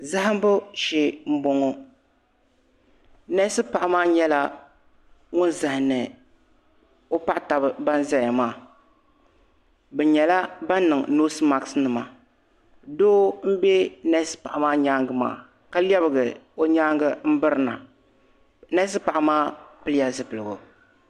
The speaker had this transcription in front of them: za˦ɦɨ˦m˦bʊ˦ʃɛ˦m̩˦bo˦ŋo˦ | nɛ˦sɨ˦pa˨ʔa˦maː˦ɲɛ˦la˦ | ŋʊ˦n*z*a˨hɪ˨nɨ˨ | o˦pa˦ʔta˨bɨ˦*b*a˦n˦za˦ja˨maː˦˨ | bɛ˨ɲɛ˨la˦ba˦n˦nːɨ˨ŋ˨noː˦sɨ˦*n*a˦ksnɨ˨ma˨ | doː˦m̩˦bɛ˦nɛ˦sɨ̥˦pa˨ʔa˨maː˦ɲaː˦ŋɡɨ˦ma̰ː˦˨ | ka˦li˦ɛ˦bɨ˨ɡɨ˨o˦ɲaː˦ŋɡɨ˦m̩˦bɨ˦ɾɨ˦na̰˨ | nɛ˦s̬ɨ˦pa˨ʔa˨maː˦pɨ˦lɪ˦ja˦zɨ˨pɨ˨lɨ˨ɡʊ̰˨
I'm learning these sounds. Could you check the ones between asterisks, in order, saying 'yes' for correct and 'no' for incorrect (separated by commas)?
yes, yes, no